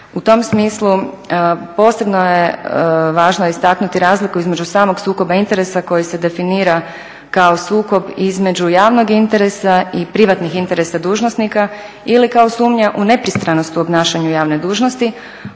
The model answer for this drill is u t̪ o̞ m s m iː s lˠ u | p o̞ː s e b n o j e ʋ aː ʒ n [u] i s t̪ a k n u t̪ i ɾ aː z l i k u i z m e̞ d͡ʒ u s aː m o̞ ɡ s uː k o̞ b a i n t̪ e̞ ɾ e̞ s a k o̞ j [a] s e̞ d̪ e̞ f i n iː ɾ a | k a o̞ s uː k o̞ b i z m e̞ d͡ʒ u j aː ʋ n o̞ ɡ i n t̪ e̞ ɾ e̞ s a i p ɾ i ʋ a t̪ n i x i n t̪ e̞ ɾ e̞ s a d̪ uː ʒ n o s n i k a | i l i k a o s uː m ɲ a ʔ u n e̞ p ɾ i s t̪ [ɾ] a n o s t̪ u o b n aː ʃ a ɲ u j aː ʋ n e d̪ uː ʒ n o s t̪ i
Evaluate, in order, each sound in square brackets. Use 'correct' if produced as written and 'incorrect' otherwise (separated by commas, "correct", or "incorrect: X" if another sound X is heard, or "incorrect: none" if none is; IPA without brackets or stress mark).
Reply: incorrect: o, incorrect: i, correct